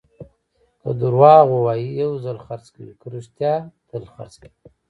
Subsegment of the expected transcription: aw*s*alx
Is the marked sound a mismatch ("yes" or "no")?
yes